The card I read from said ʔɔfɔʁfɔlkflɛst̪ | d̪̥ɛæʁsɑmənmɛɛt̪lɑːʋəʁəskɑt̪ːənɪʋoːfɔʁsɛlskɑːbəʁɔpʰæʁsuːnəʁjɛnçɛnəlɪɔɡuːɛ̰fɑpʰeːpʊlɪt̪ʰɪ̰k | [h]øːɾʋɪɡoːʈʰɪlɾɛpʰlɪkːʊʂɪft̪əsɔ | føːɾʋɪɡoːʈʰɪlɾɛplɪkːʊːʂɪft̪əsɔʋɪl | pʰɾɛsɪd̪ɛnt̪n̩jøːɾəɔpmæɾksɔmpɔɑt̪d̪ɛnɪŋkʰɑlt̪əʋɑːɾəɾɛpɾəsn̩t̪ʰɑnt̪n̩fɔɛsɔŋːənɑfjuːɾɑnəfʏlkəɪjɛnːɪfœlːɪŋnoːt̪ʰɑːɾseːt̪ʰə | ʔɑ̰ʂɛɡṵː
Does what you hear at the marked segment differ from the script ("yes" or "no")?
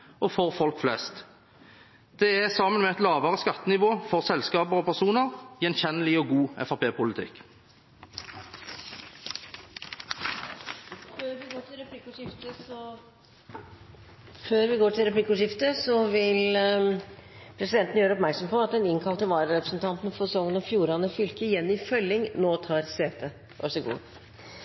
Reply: yes